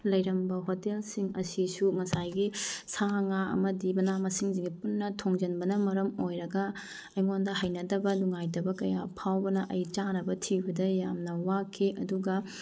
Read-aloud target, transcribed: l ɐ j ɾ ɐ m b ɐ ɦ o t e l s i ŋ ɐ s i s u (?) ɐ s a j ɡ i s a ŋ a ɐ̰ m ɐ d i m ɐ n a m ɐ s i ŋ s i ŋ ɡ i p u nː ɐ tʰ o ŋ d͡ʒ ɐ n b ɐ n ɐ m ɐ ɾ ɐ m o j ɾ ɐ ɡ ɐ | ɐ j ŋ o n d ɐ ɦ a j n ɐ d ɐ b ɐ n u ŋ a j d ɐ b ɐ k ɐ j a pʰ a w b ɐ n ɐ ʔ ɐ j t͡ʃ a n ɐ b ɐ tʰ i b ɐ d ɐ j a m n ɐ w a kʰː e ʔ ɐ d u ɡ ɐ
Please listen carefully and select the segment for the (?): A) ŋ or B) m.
A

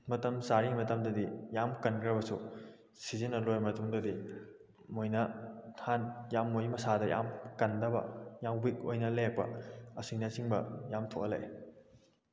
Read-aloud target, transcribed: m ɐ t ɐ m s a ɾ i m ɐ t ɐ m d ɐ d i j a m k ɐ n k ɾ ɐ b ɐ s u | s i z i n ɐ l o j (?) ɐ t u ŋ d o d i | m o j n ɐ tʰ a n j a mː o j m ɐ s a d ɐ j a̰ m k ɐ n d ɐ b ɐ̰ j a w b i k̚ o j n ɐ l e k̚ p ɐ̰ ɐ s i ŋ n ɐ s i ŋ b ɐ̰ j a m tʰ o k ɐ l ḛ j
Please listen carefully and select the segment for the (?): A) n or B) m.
B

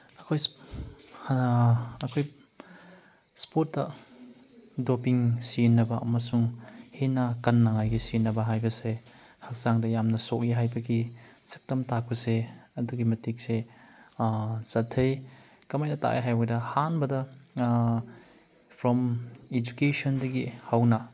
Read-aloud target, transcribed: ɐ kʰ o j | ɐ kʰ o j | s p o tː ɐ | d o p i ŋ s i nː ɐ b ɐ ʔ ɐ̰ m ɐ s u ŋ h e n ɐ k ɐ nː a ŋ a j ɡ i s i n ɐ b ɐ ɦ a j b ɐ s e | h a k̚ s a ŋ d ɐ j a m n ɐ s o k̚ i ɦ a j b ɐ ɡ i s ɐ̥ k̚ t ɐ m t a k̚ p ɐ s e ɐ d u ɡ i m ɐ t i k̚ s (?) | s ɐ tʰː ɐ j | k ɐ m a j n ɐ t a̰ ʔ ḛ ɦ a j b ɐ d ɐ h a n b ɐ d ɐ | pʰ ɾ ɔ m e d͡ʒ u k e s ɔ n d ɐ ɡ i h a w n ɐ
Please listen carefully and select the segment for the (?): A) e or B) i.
A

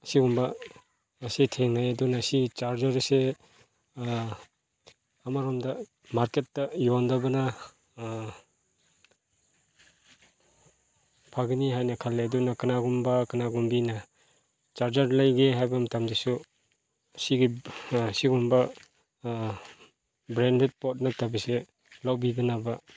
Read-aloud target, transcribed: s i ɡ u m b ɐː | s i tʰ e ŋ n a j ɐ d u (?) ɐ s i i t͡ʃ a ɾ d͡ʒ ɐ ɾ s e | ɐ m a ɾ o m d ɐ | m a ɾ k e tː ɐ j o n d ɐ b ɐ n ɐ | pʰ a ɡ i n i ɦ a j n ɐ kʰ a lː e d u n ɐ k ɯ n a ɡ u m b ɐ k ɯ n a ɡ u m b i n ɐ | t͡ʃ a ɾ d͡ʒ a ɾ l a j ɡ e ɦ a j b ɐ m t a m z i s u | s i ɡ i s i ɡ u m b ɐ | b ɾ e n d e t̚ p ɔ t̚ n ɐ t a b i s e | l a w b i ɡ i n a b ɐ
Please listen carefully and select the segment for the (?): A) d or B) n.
B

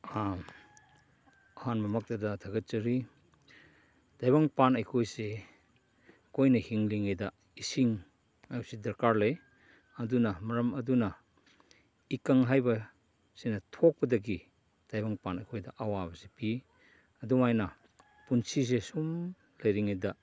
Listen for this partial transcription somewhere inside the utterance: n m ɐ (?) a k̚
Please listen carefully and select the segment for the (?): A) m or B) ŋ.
A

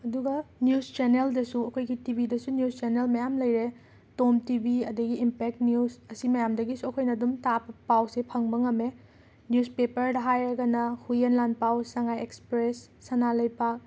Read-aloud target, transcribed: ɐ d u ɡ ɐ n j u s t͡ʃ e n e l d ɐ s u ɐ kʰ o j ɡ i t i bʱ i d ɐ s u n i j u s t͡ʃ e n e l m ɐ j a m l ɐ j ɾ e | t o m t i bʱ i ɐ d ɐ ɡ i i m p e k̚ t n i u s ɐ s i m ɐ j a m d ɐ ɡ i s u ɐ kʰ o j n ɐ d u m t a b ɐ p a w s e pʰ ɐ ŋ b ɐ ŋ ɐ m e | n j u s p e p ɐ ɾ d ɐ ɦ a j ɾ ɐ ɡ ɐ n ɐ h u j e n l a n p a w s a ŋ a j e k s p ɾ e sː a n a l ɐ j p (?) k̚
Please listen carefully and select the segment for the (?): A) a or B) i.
A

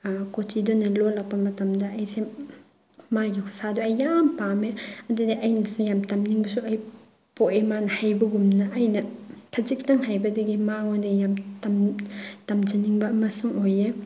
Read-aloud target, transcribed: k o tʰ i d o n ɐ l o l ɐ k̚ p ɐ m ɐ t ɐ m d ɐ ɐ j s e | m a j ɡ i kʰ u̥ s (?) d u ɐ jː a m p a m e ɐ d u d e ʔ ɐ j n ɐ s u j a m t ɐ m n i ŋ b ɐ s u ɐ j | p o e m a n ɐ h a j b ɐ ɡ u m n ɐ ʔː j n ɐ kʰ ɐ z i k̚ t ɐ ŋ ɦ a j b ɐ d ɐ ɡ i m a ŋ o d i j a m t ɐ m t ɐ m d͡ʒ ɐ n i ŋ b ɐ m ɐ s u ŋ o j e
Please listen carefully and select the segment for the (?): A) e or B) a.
B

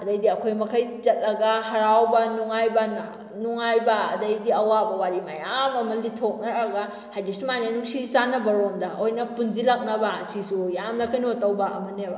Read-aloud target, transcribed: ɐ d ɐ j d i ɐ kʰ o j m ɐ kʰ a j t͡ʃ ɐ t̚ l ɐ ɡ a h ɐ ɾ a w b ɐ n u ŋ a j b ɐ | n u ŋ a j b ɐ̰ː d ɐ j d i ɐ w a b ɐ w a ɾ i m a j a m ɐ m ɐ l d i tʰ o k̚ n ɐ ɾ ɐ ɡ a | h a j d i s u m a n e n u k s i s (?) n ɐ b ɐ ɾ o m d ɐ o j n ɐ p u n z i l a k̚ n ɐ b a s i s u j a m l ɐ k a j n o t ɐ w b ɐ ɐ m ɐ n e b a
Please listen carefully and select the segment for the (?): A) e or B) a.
B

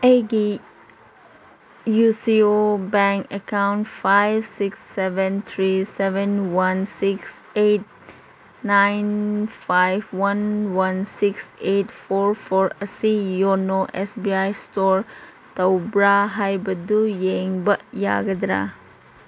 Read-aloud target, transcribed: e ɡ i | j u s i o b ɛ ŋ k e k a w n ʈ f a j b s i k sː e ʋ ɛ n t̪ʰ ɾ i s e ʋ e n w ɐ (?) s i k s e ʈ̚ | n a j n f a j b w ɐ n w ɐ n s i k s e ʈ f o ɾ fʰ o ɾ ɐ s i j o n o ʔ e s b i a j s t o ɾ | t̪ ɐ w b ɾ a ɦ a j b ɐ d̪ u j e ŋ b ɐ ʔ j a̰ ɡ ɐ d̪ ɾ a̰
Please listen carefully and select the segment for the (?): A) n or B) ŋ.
A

